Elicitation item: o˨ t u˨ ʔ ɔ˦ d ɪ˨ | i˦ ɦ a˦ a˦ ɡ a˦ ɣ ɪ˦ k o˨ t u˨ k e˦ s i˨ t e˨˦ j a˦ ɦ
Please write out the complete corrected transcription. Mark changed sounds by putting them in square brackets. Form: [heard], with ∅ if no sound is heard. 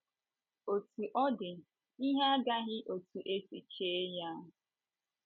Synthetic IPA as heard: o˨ t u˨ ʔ ɔ˦ d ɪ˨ | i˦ ɦ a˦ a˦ ɡ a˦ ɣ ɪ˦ [ʔ] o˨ t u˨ [ʔ] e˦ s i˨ [t͡ʃ] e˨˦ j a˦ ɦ

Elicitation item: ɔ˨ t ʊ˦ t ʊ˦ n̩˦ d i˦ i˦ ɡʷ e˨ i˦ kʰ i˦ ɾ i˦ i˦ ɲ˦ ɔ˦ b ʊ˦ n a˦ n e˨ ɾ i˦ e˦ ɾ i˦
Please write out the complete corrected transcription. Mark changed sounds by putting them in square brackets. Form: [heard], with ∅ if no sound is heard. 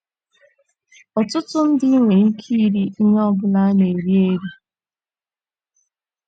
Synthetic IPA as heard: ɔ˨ t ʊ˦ t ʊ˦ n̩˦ d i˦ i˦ [ŋʷ] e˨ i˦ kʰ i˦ ɾ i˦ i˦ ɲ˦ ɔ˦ b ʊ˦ n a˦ n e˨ ɾ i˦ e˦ ɾ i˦

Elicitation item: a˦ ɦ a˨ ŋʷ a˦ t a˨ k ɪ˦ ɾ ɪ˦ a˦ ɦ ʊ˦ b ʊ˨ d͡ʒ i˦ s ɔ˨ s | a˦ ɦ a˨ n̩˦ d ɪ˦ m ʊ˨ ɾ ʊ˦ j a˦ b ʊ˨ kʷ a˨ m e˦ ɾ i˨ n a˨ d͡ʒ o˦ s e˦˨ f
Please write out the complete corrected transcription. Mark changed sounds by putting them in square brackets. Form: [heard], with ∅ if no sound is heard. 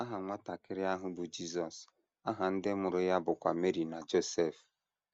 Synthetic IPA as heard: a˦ ɦ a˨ ŋʷ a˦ t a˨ k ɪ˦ ɾ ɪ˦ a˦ ɦ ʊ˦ b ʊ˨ d͡ʒ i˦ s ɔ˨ s | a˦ ɦ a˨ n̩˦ d ɪ˦ m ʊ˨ ɾ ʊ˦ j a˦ b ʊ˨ kʷ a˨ m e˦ ɾ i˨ n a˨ d͡ʒ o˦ s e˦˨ f

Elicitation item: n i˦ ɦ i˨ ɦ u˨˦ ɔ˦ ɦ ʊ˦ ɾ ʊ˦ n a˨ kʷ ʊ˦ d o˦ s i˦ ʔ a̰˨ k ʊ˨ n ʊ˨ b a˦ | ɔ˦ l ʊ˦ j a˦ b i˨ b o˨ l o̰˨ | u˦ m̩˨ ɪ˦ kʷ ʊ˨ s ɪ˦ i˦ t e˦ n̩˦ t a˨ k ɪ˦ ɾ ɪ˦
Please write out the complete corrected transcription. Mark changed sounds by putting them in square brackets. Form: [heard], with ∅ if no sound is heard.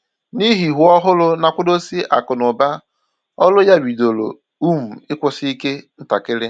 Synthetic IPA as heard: n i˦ ɦ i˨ ɦ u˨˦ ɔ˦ ɦ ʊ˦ [l] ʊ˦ n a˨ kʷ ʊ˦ d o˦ s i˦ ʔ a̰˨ k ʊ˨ n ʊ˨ b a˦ | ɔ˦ l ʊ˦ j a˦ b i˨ [d] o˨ l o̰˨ | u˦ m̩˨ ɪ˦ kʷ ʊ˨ s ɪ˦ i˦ [k] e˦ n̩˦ t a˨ k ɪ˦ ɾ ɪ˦

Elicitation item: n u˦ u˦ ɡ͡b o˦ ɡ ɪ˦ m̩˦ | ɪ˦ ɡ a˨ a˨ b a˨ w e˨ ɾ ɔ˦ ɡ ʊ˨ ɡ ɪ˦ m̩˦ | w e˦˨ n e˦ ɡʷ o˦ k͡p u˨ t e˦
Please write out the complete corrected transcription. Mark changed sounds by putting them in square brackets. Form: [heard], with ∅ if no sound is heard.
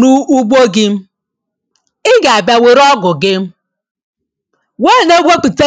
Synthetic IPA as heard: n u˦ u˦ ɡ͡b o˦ ɡ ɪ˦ m̩˦ | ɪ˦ ɡ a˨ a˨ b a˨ w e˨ ɾ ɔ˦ ɡ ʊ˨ ɡ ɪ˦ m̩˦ | w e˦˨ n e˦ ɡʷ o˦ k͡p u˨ t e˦

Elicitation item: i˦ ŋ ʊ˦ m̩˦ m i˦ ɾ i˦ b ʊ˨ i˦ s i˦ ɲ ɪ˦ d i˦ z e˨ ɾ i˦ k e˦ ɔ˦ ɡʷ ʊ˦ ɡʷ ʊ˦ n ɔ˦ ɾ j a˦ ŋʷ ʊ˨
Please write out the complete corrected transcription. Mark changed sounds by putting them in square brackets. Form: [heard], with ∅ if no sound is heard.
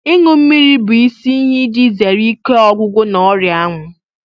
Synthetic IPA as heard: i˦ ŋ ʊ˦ m̩˦ m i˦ ɾ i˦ b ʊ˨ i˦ s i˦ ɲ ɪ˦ d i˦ z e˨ ɾ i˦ k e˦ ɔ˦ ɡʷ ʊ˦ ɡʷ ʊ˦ n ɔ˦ ɾ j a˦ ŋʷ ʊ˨

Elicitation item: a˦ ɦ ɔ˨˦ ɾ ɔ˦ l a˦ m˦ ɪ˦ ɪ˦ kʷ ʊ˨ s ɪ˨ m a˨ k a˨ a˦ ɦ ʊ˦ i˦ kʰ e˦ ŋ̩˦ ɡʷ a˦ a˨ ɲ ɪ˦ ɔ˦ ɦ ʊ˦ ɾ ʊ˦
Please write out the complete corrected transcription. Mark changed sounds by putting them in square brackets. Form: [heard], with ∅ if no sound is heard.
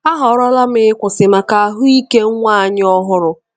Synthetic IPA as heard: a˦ ɦ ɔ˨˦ ɾ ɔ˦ l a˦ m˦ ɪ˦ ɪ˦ kʷ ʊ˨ s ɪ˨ m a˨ k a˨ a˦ ɦ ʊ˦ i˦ [k] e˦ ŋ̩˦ [ŋʷ] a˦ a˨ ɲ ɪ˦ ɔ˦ ɦ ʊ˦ ɾ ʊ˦

